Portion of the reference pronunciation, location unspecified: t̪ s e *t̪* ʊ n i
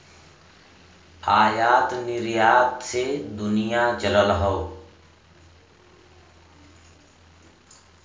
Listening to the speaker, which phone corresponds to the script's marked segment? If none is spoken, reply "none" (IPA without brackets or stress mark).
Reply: d̪